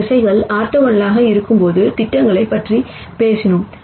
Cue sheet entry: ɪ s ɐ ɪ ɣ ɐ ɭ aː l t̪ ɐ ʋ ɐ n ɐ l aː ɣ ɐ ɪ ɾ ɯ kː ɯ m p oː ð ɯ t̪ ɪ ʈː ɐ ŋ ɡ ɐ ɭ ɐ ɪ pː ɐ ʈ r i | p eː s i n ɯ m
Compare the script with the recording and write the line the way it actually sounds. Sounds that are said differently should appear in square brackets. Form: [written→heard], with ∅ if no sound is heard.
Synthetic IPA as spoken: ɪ s ɐ ɪ ɣ ɐ ɭ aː [l→ɾ] t̪ ɐ ʋ ɐ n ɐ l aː ɣ ɐ ɪ ɾ ɯ kː ɯ m p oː ð ɯ t̪ ɪ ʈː ɐ ŋ ɡ ɐ ɭ ɐ ɪ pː ɐ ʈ r i | p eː s [i→ɪ] n ɯ m